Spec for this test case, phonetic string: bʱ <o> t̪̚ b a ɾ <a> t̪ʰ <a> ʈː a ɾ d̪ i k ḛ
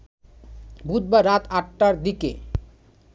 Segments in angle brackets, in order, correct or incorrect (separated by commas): incorrect, correct, correct